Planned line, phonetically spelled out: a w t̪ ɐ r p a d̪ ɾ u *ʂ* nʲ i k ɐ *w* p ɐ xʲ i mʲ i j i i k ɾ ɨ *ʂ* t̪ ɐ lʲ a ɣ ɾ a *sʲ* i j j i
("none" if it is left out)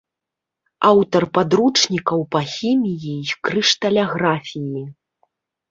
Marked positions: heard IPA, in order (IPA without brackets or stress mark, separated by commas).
t͡ʂ, w, ʂ, fʲ